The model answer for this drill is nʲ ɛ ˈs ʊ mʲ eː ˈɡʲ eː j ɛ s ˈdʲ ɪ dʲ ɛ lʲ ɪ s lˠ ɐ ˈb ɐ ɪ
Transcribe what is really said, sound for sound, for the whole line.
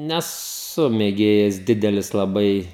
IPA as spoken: nʲ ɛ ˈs ʊ mʲ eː ˈɡʲ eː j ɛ s ˈdʲ ɪ dʲ ɛ lʲ ɪ s lˠ ɐ ˈb ɐ ɪ